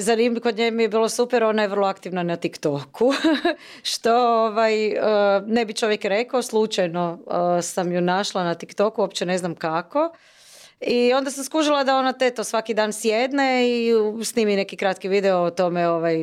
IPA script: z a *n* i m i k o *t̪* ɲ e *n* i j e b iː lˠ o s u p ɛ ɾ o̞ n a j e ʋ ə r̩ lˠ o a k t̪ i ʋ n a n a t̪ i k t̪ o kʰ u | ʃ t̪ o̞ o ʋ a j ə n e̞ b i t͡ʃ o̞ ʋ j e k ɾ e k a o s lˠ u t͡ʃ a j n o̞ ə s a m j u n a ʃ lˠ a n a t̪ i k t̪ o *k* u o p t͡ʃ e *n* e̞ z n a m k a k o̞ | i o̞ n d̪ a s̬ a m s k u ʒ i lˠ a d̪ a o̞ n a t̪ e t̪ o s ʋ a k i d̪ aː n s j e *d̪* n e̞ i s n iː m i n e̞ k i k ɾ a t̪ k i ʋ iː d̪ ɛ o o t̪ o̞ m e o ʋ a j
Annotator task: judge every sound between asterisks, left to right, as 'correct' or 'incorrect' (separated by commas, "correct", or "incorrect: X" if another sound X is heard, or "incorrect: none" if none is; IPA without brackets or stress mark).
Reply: correct, incorrect: d̪, incorrect: m, correct, correct, correct